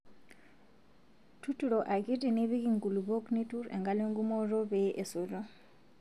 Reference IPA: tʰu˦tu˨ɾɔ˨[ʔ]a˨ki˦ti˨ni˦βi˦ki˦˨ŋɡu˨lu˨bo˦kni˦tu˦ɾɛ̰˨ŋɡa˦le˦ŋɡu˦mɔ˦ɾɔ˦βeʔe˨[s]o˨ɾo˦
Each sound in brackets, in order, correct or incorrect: correct, correct

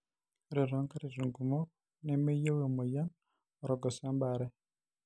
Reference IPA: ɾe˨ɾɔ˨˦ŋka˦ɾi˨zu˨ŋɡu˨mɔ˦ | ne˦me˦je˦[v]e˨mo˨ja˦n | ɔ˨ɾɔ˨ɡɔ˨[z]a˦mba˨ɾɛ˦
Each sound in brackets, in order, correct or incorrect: incorrect, incorrect

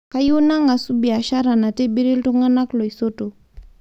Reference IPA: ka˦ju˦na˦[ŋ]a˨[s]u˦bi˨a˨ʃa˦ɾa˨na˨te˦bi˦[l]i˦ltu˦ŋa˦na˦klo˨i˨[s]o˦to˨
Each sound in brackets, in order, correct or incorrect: correct, correct, incorrect, correct

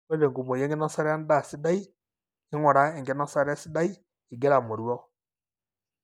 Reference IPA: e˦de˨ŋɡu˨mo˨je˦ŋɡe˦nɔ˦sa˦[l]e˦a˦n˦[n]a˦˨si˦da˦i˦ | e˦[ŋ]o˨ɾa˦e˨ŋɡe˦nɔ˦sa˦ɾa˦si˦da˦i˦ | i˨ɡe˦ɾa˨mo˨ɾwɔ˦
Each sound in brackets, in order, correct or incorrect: incorrect, incorrect, correct

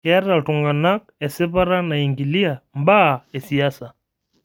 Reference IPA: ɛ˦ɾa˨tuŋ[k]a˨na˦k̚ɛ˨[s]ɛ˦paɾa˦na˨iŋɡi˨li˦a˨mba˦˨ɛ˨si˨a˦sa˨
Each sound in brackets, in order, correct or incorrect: incorrect, correct

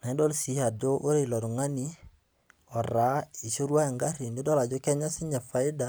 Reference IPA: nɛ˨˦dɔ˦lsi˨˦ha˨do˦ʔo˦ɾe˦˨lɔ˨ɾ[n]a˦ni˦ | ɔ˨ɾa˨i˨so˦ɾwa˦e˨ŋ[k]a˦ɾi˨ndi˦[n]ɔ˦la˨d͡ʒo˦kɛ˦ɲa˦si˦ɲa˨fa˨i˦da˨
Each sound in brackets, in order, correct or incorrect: incorrect, incorrect, incorrect

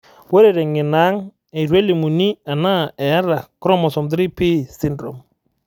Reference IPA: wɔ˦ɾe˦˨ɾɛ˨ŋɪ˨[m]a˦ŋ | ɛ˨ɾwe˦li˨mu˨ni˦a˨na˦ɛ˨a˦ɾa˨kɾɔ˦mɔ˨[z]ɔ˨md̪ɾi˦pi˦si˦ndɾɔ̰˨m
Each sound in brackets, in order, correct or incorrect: incorrect, incorrect

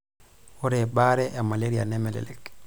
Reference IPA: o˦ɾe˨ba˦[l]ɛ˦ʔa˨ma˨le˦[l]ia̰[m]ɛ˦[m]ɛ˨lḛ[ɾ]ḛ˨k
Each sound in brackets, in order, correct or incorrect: incorrect, incorrect, incorrect, correct, incorrect

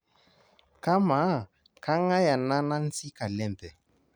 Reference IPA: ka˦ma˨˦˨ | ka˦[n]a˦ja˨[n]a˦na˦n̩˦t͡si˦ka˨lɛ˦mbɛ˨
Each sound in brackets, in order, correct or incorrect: incorrect, correct

